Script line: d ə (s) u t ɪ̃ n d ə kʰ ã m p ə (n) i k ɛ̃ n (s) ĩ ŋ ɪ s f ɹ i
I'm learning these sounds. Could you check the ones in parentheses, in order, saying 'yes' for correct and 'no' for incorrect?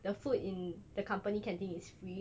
no, yes, no

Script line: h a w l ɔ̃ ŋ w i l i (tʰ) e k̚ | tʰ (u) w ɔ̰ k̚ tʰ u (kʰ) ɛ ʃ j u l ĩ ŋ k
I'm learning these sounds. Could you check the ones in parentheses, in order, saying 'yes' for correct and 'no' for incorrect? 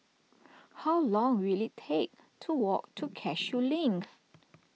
yes, yes, yes

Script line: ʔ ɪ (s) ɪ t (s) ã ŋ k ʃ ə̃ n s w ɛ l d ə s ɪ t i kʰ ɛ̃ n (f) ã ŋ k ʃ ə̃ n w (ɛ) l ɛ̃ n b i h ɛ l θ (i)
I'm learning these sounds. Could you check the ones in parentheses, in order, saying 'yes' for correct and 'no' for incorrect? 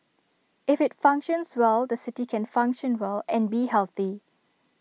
no, no, yes, yes, yes

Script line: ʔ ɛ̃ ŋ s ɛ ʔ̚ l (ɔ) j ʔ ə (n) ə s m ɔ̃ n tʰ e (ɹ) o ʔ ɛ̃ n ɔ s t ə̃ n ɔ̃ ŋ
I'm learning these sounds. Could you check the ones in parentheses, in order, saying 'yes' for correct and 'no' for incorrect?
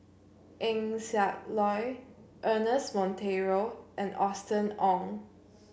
yes, yes, yes

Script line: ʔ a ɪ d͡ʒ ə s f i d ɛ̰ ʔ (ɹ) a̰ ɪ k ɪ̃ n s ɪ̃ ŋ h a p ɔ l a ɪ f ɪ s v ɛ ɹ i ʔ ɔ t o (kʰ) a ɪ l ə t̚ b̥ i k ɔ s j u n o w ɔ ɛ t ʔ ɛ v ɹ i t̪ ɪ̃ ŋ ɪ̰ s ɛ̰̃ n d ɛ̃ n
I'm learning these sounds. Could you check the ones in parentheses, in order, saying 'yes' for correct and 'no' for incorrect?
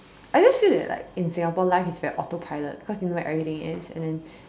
no, no

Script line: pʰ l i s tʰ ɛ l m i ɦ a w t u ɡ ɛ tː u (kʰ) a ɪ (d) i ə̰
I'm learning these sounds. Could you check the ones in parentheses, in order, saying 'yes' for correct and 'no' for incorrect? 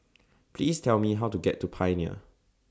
no, no

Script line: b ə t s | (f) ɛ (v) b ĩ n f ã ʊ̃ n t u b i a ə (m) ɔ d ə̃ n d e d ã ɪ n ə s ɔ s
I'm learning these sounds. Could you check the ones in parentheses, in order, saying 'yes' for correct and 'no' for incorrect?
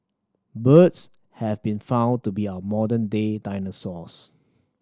no, yes, yes

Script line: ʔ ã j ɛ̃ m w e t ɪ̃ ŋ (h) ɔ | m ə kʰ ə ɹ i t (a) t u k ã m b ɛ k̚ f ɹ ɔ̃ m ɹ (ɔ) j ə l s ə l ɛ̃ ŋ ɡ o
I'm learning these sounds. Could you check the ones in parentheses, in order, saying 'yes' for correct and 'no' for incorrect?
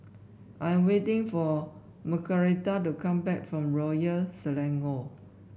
no, yes, yes

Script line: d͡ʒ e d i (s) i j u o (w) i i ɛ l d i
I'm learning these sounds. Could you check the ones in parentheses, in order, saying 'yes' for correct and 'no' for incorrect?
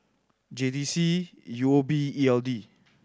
yes, no

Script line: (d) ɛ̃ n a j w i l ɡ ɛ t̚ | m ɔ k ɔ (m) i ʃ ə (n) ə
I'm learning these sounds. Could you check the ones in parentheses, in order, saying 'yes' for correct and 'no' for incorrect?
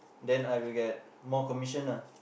yes, yes, yes

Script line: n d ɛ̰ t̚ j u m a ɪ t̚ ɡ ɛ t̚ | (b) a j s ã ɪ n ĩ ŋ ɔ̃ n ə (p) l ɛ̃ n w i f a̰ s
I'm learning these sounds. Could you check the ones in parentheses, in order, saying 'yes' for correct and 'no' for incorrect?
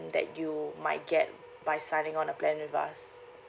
yes, yes

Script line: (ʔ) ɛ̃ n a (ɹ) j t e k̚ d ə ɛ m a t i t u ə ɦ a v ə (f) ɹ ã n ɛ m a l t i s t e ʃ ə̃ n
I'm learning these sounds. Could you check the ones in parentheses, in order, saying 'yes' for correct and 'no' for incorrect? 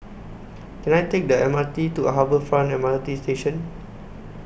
no, no, yes

